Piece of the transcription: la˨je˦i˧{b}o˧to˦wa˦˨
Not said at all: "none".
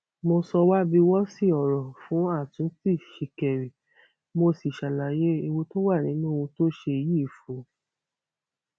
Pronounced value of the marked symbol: w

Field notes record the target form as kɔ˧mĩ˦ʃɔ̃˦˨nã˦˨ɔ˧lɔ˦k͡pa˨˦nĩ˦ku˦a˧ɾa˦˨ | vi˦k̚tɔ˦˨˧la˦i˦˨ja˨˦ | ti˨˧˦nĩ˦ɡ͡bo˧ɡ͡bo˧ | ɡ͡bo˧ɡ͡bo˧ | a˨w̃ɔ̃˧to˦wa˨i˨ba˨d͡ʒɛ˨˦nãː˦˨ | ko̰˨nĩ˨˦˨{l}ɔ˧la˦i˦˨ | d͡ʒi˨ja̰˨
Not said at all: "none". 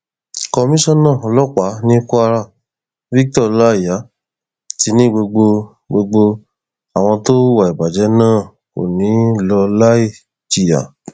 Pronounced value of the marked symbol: l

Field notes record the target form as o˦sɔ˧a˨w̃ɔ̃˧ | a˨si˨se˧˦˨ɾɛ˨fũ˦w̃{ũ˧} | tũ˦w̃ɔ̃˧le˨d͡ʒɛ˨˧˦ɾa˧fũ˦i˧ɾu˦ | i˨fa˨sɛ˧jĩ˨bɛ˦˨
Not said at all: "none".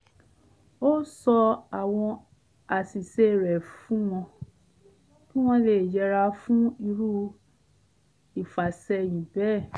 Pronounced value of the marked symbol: ɔ̃˧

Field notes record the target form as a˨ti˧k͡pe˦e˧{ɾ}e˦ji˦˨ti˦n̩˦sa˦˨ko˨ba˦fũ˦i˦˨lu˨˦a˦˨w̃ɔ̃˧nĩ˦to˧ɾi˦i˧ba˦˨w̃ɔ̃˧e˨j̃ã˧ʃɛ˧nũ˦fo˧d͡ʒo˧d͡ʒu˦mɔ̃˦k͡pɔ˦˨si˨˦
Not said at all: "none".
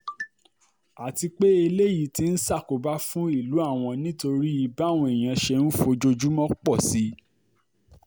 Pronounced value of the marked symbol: l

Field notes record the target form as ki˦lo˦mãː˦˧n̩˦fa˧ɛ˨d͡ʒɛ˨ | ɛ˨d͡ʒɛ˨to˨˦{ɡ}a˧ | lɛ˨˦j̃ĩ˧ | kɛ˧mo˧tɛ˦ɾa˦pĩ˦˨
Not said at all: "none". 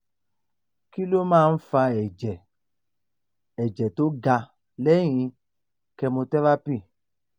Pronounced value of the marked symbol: ɡ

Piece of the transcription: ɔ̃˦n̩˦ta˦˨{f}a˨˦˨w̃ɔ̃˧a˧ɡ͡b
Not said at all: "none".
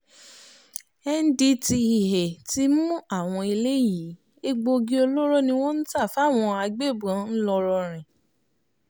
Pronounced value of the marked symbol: f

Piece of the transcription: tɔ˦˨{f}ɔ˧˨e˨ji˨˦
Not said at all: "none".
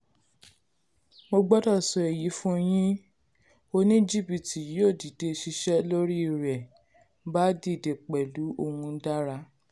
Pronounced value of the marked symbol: s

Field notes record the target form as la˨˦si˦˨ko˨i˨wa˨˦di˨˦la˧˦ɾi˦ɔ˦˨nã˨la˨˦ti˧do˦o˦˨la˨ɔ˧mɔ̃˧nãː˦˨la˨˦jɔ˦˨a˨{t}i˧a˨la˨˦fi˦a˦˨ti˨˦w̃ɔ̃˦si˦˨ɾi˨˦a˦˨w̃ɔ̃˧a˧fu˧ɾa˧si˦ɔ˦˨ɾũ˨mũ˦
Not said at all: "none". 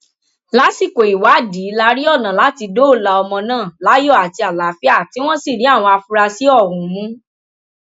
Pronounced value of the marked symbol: t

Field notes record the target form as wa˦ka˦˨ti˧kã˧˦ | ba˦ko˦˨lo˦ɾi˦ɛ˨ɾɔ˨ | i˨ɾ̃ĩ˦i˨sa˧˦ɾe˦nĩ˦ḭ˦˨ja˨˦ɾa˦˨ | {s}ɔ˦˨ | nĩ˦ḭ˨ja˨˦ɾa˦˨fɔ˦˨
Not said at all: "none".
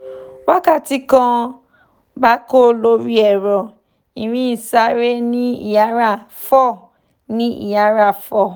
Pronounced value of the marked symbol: f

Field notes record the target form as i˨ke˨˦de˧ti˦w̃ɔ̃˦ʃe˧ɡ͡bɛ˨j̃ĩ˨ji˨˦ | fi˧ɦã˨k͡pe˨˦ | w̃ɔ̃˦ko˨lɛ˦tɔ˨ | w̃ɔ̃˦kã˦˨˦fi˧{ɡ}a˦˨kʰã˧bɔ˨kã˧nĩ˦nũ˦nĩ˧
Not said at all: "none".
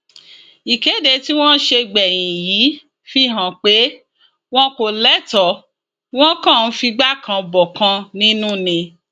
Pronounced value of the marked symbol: ɡ͡b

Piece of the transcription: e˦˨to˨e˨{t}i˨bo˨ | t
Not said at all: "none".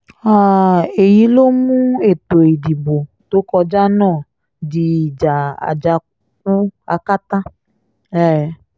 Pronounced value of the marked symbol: d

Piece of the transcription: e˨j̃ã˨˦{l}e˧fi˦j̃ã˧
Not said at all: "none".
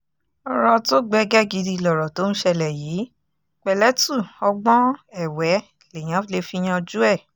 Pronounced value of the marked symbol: l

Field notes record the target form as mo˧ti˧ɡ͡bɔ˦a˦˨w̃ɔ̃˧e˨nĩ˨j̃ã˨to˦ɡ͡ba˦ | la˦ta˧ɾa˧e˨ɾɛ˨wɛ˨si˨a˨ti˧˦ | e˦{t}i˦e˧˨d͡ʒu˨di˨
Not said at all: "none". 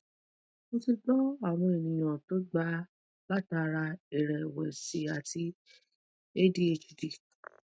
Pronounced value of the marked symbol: d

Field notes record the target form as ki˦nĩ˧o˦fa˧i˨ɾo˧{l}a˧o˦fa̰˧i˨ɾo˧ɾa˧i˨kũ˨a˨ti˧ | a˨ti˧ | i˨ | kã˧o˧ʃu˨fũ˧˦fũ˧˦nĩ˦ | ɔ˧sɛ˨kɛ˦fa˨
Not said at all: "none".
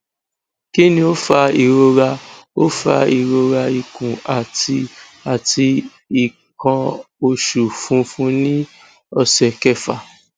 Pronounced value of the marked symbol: ɾ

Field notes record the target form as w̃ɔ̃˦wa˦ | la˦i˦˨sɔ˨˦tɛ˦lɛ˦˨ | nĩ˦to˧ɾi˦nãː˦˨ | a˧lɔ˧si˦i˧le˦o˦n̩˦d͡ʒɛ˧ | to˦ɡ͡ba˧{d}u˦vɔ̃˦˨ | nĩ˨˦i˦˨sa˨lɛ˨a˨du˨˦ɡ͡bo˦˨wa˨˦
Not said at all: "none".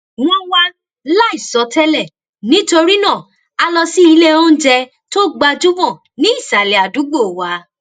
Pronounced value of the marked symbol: d͡ʒ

